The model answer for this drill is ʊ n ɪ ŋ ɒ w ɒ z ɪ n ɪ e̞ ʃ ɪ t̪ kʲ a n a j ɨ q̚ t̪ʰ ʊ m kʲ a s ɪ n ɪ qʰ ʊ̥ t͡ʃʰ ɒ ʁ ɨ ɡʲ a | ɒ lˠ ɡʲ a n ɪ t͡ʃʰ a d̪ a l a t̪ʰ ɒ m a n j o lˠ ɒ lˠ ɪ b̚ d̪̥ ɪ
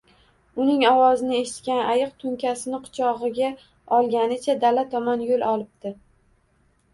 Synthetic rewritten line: ʊ n ɪ ŋ ɒ w ɒ z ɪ n ɪ e̞ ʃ ɪ t̪ kʲ a n a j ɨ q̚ t̪ʰ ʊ ŋ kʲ a s ɪ n ɪ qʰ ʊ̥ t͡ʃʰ ɒ ʁ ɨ ɡʲ a | ɒ lˠ ɡʲ a n ɪ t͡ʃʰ a d̪ a l a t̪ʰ ɒ m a n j o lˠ ɒ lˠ ɪ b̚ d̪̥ ɪ